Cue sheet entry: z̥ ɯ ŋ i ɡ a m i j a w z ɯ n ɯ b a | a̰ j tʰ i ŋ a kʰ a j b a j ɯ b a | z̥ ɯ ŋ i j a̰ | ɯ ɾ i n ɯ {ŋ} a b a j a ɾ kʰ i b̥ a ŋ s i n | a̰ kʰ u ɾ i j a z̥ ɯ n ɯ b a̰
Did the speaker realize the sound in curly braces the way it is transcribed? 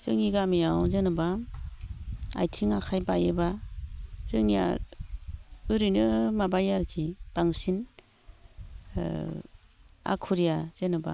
no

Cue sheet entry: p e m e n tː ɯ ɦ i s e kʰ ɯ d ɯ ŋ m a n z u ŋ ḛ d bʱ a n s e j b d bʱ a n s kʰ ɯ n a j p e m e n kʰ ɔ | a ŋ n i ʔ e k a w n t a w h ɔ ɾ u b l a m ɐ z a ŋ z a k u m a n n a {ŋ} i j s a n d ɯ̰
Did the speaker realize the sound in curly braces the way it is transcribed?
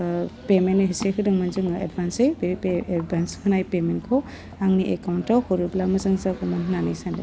no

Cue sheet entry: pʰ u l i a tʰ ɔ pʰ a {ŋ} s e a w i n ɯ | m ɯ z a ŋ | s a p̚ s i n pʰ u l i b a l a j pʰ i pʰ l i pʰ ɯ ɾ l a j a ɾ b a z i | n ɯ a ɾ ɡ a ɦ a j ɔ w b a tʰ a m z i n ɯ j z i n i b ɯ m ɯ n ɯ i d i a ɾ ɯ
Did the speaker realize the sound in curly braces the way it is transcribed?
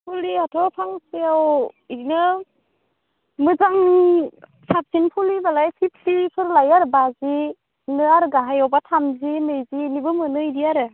yes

